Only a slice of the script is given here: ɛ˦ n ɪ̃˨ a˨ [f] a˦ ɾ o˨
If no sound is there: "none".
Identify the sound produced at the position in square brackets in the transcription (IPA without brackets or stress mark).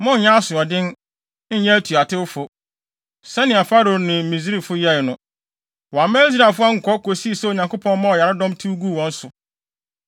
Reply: f